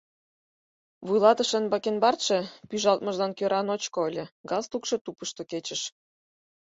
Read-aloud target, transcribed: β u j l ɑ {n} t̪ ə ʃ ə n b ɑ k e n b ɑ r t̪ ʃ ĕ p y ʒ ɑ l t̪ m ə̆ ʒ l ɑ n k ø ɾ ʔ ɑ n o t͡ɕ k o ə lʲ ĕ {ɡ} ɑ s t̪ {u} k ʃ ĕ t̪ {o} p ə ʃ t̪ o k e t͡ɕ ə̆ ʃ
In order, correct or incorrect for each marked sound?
incorrect, correct, correct, incorrect

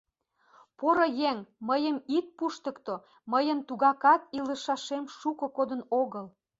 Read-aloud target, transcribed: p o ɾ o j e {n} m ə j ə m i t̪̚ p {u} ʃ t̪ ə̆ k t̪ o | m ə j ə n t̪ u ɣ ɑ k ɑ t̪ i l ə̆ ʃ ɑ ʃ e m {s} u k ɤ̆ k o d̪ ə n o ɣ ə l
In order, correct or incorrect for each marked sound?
incorrect, correct, incorrect

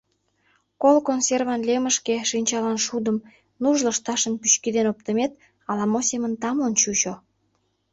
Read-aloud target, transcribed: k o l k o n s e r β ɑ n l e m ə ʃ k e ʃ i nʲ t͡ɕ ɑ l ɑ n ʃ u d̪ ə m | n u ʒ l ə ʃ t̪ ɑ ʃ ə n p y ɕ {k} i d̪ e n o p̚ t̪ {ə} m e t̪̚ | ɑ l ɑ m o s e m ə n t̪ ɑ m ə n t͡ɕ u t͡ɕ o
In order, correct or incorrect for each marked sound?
correct, correct

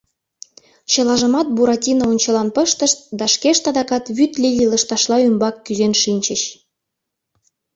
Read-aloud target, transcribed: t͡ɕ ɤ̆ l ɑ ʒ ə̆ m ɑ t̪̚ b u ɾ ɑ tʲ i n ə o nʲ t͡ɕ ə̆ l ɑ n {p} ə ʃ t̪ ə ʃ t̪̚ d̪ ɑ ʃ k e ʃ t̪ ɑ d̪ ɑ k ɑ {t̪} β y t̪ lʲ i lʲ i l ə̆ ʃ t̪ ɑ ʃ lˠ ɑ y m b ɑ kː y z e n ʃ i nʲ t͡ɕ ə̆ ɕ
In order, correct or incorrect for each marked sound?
correct, correct

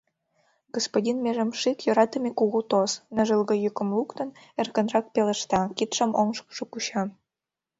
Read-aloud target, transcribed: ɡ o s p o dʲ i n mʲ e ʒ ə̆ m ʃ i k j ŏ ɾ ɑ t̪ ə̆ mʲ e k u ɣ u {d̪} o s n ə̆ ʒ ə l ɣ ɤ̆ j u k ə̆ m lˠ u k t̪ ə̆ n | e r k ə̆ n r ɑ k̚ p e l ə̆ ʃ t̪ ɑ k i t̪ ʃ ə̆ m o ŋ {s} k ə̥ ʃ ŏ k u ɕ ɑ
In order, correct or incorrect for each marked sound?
incorrect, incorrect

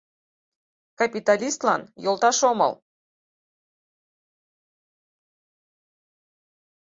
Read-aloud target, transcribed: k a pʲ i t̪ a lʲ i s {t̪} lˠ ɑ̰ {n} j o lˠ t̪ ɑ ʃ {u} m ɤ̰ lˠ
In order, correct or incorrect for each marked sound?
correct, correct, incorrect

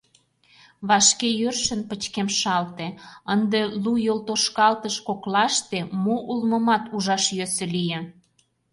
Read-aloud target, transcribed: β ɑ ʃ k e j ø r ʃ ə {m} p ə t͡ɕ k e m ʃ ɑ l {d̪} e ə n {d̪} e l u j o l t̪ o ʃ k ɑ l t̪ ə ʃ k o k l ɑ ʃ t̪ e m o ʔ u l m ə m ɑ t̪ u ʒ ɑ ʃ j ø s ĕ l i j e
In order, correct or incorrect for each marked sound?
incorrect, incorrect, correct

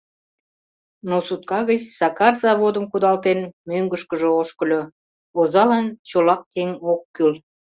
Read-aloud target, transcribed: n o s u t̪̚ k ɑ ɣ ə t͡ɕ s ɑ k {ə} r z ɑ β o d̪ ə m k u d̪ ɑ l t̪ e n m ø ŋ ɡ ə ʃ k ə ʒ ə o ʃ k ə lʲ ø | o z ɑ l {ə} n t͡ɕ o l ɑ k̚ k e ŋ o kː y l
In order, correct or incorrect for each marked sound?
incorrect, incorrect

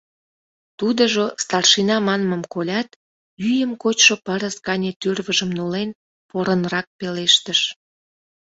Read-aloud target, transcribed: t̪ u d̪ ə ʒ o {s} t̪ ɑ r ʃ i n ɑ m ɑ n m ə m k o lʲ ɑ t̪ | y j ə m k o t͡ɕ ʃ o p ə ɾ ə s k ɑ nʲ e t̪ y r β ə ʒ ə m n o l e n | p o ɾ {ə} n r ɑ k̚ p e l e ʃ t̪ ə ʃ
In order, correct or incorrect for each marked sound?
correct, correct

